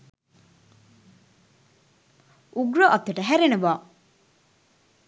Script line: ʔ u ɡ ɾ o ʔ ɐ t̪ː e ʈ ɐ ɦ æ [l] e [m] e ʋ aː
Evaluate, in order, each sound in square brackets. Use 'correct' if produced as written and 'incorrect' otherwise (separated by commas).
incorrect, incorrect